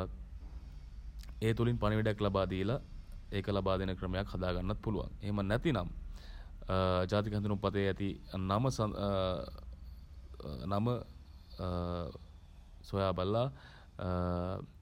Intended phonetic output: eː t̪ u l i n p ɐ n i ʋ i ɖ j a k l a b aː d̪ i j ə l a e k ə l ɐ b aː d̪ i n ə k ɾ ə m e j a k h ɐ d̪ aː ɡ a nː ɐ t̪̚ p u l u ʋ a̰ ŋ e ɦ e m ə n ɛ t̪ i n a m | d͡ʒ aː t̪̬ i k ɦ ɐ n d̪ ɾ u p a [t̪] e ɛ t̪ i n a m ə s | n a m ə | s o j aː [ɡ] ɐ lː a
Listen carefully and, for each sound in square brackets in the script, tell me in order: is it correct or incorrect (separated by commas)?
correct, incorrect